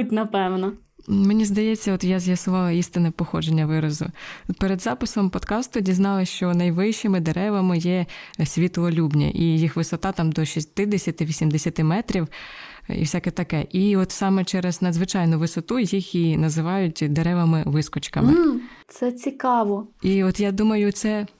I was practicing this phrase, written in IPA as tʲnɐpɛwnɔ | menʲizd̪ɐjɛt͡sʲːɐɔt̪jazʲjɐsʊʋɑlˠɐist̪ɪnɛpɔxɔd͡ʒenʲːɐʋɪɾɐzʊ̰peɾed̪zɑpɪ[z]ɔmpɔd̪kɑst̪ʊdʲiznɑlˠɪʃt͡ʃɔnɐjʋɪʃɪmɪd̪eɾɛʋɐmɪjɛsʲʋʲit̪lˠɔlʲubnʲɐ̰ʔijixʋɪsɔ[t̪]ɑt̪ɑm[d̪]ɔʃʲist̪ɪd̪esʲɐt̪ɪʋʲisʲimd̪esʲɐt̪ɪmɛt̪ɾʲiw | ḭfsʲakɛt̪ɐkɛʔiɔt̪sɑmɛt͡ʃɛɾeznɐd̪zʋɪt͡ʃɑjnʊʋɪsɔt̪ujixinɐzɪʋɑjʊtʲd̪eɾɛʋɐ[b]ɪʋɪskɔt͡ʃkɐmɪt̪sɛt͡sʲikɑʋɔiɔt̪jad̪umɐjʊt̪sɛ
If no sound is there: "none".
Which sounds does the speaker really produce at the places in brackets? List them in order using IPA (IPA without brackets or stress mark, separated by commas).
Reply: s, t̪, d̪, m